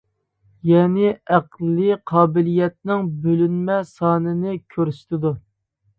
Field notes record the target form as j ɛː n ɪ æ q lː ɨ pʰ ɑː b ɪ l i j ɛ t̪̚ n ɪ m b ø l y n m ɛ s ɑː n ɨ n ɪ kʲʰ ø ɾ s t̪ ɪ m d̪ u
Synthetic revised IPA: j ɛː n ɪ æ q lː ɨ qʰ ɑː b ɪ l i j ɛ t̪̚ n ɪ ŋ b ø l y n m ɛ s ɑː n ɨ n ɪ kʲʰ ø ɾ s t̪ ɪ d̪ u